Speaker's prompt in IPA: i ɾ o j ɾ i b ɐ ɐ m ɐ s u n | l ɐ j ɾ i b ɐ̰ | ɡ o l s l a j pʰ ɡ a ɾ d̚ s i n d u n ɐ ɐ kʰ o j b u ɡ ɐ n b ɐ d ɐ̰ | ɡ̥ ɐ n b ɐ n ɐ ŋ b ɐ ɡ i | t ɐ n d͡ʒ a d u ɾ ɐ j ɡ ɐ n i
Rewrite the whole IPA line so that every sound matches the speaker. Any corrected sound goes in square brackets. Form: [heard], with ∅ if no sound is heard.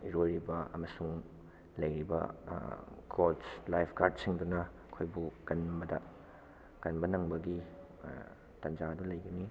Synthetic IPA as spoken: i ɾ o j ɾ i b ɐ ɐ m ɐ s u [ŋ] | l ɐ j ɾ i b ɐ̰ | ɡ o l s l a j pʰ ɡ a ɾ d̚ s i [ŋ] d u n ɐ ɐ kʰ o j b u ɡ ɐ n b ɐ d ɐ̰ | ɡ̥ ɐ n b ɐ n ɐ ŋ b ɐ ɡ i | t ɐ n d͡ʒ a d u [l] ɐ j ɡ ɐ n i